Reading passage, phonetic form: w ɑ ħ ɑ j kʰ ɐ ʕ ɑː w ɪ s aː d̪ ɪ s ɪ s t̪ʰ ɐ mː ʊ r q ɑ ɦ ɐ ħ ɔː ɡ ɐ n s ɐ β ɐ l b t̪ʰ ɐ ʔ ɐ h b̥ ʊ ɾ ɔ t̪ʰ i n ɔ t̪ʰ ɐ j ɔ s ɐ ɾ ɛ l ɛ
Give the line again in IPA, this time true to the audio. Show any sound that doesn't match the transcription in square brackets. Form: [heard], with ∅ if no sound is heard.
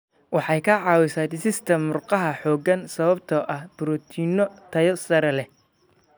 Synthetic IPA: w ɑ ħ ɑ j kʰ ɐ ʕ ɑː w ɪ s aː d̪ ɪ s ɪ s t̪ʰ ɐ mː ʊ r q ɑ ɦ ɐ ħ ɔː ɡ ɐ n s ɐ β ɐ [∅] b t̪ʰ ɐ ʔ ɐ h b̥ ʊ ɾ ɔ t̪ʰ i n ɔ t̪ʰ ɐ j ɔ s ɐ ɾ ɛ l ɛ